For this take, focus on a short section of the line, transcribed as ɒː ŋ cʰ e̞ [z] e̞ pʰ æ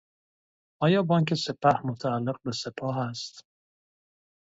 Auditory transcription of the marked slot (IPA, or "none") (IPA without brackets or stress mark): s